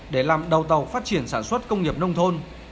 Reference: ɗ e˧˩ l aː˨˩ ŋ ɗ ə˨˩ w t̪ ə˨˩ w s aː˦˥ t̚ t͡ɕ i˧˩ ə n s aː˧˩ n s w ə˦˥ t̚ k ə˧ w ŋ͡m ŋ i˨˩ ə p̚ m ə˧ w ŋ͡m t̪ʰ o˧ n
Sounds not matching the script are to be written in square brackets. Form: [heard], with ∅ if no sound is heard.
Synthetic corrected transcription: ɗ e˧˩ l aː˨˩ [m] ɗ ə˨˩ w t̪ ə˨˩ w [f] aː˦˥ t̚ t͡ɕ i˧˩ ə n s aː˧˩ n s w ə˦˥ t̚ k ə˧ w ŋ͡m ŋ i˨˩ ə p̚ [n] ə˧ w ŋ͡m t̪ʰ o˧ n